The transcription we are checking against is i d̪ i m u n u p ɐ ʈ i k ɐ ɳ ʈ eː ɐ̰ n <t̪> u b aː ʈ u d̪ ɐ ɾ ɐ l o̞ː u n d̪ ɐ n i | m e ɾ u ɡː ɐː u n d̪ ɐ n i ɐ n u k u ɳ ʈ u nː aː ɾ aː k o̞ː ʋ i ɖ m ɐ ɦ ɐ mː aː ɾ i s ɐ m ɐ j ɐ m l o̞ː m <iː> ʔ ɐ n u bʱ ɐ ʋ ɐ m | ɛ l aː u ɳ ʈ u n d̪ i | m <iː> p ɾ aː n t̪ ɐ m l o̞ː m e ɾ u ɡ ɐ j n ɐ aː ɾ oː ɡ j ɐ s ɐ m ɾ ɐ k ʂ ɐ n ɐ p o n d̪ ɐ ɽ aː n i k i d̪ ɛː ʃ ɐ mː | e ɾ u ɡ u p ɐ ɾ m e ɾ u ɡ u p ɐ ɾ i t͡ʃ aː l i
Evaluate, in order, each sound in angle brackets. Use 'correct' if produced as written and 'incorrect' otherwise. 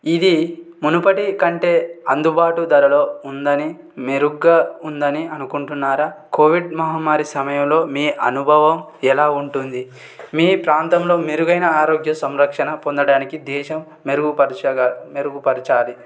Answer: incorrect: d̪, correct, correct

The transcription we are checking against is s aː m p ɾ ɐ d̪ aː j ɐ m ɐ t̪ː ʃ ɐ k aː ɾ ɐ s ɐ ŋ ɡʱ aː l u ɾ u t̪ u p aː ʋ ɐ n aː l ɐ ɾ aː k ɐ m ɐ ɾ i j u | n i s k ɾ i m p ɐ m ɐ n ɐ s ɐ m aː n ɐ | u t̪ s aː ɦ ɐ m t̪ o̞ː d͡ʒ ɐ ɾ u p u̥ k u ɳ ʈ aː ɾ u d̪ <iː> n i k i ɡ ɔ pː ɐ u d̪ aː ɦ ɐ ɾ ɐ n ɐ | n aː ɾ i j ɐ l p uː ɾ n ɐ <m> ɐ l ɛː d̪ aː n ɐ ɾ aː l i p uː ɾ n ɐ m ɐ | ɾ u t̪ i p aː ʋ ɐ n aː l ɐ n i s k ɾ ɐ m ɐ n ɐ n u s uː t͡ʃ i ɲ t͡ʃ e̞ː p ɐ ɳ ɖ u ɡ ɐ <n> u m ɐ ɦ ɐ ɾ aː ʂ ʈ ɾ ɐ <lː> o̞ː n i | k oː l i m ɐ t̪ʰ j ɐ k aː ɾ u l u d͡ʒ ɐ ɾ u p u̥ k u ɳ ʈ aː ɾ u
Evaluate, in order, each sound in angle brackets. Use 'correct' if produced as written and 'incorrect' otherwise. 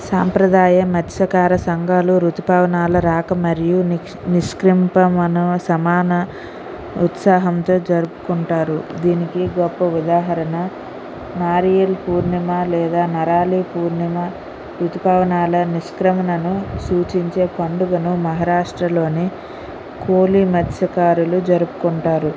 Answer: correct, correct, correct, incorrect: l

